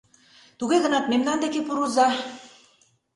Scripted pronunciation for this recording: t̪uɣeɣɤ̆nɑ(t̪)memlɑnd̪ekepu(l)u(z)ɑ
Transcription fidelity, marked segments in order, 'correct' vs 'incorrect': correct, incorrect, correct

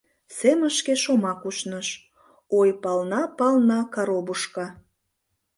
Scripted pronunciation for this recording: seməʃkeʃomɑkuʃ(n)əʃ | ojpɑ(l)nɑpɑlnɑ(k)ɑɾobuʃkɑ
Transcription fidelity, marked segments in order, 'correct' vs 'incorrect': correct, correct, correct

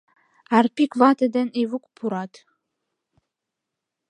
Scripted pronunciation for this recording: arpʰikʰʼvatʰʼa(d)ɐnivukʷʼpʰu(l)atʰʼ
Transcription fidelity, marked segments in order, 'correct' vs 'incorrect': correct, incorrect

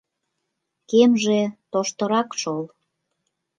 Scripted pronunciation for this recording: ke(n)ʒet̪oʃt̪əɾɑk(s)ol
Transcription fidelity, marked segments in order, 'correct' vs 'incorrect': incorrect, incorrect

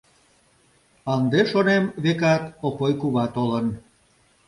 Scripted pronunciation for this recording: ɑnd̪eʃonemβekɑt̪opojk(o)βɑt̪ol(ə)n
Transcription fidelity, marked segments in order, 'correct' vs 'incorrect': incorrect, correct

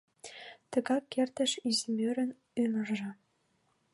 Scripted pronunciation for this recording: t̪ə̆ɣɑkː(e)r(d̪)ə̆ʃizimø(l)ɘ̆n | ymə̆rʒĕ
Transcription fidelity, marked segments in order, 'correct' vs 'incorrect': correct, incorrect, incorrect

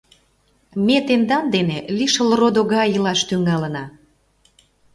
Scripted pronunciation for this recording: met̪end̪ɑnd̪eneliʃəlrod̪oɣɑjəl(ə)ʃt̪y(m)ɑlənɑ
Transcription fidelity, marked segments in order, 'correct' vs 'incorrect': incorrect, incorrect

